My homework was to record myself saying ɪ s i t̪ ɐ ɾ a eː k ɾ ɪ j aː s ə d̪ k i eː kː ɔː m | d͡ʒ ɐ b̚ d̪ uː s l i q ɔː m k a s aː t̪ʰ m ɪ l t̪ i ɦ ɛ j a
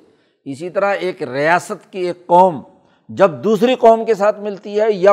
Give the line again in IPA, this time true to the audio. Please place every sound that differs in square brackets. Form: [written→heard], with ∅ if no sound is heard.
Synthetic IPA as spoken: ɪ s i t̪ ɐ ɾ a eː k ɾ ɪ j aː s ə [d̪→t̪] k i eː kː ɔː m | d͡ʒ ɐ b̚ d̪ uː s [l→ɾ] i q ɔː m k [a→e] s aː t̪ʰ m ɪ l t̪ i ɦ ɛ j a